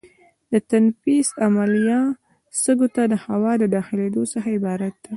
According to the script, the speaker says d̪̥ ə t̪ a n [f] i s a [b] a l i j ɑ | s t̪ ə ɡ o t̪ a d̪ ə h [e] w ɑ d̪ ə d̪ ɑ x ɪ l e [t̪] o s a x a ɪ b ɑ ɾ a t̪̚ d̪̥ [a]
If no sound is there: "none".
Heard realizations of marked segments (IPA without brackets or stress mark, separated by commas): f, m, a, d̪, a